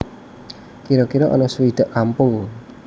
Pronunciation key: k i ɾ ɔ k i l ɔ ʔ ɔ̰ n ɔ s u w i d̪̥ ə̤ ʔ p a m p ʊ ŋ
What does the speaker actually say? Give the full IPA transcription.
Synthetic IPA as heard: k i ɾ ɔ k i ɾ ɔ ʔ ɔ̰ n ɔ s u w i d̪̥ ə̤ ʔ k a m p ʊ ŋ